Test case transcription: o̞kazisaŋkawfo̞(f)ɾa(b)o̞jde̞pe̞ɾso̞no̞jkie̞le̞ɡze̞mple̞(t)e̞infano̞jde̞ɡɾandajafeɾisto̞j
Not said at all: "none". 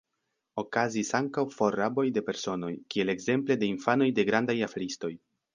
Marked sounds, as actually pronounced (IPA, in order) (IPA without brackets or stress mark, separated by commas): none, b, d